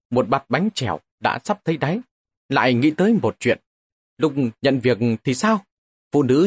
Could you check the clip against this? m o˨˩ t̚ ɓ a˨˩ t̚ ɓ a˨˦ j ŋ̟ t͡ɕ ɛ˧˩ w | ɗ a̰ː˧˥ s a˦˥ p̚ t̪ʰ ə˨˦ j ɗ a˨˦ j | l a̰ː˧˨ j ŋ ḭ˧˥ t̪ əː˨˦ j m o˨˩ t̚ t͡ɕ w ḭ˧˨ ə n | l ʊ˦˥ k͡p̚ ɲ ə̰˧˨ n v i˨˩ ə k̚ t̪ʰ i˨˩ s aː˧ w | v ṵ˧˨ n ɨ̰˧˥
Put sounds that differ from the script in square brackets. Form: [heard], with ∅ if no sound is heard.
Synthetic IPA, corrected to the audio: m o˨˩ t̚ ɓ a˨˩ t̚ ɓ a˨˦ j ŋ̟ t͡ɕ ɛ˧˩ w | ɗ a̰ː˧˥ s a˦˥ p̚ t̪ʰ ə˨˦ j ɗ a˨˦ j | l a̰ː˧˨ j ŋ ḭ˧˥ t̪ əː˨˦ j m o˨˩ t̚ t͡ɕ w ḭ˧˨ ə n | l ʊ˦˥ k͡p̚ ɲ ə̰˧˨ n v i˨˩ ə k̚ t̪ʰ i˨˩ s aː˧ w | [f] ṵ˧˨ n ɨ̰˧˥